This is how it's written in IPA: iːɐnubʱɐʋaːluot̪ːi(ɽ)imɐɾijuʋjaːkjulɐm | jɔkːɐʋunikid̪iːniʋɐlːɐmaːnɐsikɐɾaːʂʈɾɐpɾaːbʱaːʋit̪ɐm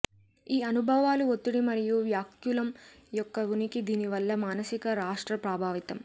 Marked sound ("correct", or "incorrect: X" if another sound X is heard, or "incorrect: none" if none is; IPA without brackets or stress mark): correct